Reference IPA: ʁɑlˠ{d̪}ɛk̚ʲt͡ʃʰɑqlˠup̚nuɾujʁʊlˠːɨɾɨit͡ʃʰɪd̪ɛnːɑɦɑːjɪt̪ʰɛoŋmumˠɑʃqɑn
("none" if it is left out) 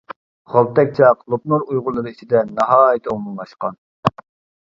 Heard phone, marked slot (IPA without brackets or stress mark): t̪